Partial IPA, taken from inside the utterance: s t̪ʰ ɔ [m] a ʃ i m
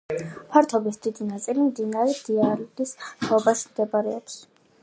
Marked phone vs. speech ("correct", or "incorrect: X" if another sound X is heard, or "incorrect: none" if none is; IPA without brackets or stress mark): incorrect: b